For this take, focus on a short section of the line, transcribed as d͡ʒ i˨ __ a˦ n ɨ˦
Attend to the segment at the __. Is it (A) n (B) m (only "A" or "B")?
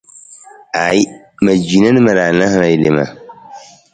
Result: A